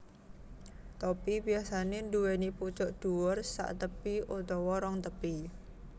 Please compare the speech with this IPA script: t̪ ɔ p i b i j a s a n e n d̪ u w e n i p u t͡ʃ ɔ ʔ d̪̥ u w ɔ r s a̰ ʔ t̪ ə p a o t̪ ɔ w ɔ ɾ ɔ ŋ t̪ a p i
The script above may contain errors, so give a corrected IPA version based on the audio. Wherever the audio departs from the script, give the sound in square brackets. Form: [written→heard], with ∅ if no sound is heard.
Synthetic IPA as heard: t̪ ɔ p i b i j a s a n e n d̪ u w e n i p u t͡ʃ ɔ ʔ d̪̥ u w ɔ r s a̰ ʔ t̪ ə p [a→i] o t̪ ɔ w ɔ ɾ ɔ ŋ t̪ [a→ə] p i